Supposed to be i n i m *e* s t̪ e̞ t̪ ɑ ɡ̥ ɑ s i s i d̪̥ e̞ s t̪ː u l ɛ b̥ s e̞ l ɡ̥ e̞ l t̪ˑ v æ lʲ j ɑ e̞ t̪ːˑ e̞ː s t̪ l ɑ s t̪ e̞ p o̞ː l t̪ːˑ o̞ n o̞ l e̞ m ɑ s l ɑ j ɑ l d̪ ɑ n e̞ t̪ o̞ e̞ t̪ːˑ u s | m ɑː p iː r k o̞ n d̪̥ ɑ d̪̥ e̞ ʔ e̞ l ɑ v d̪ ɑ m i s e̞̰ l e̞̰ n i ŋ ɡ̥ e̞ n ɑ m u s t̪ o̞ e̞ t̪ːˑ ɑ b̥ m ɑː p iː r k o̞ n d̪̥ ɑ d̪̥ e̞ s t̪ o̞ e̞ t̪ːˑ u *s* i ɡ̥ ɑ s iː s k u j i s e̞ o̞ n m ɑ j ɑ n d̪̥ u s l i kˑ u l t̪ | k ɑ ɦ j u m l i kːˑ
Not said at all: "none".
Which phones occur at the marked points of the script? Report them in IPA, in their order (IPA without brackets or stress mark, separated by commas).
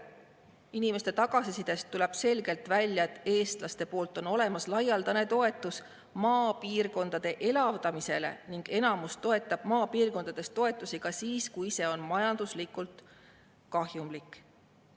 e, s